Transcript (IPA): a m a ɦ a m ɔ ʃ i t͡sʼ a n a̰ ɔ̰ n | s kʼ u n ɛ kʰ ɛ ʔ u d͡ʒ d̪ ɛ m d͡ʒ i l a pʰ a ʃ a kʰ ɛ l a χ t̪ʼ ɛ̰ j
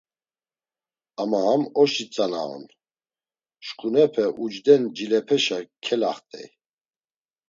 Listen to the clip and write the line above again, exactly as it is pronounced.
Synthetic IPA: a m a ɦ a m ɔ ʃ i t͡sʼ a n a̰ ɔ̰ n | ʃ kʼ u n ɛ pʰ ɛ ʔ u d͡ʒ d̪ ɛ n d͡ʒ i l ɛ pʰ ɛ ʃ a kʰ ɛ l a χ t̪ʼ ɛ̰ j